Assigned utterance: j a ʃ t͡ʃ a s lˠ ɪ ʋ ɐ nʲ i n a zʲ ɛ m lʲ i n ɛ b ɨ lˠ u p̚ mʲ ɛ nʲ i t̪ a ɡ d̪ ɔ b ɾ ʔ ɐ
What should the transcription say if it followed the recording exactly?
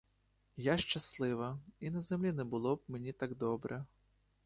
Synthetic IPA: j a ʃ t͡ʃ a s lˠ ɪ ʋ ɐ i n ɐ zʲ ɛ m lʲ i n ɛ b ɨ lˠ ɔ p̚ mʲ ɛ nʲ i t̪ a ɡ d̪ ɔ b ɾ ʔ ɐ